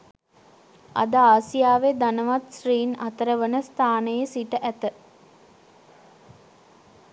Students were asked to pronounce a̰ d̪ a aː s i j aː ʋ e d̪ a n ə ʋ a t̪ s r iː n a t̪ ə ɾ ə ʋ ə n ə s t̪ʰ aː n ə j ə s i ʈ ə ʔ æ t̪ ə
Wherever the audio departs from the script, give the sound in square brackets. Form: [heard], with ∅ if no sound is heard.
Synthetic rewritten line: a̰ d̪ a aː s i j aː ʋ e d̪ a n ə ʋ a t̪ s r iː n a t̪ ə ɾ ə ʋ ə n ə s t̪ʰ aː n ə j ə s i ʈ ə ʔ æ t̪ ə